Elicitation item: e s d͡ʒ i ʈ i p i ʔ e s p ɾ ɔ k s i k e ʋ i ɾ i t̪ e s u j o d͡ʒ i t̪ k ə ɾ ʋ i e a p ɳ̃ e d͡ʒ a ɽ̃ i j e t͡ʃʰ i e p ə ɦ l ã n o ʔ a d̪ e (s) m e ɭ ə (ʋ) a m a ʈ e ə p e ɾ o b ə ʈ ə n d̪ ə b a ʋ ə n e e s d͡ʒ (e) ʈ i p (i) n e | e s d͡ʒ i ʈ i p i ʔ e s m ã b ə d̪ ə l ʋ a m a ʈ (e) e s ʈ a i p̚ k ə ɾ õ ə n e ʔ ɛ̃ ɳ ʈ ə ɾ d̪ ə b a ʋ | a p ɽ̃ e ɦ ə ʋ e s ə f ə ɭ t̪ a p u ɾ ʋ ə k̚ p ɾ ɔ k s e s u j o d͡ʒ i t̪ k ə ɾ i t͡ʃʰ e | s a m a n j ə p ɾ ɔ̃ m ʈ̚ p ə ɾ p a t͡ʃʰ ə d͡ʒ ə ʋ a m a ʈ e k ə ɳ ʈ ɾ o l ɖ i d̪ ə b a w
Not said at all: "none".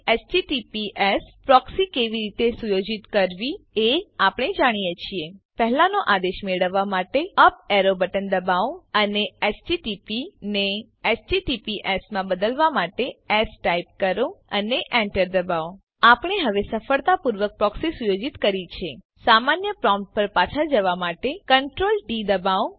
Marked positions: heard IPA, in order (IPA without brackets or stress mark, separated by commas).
ʃ, ʋː, i, i, e